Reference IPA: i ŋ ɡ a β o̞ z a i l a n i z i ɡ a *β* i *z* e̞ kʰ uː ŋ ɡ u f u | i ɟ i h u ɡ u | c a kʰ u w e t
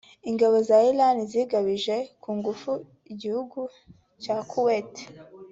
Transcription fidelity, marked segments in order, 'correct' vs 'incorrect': correct, incorrect: ʒ

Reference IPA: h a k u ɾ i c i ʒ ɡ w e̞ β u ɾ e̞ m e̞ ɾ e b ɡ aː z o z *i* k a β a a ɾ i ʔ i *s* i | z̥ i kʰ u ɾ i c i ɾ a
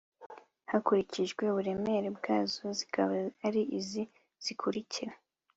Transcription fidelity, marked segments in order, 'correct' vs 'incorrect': correct, incorrect: z

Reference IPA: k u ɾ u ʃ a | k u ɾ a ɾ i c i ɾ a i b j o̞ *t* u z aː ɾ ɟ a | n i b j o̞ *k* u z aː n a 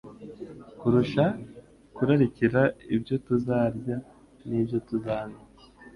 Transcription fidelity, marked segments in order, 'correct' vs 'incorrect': correct, incorrect: t

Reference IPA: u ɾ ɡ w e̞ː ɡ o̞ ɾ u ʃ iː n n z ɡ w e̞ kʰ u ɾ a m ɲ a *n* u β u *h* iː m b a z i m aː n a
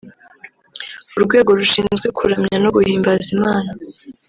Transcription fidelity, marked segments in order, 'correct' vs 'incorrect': correct, correct

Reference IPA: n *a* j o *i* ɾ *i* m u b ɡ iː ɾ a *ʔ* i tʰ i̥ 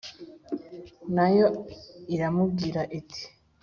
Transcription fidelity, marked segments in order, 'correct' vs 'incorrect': correct, correct, incorrect: a, correct

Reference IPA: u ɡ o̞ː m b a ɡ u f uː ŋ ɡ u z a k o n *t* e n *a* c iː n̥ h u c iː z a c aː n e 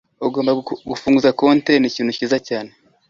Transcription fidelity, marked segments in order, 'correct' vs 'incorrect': correct, incorrect: i

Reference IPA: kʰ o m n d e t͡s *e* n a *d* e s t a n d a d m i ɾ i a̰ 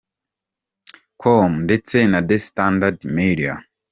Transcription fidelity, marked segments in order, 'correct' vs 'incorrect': correct, correct

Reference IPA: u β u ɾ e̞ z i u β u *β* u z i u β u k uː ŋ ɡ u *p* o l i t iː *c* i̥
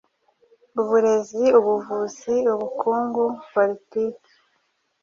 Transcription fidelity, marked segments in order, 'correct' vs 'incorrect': incorrect: v, correct, incorrect: k

